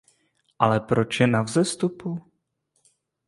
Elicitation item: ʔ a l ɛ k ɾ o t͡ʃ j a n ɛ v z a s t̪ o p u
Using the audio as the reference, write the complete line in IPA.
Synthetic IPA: ʔ a l ɛ p ɾ o t͡ʃ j ɛ n a v z ɛ s t̪ u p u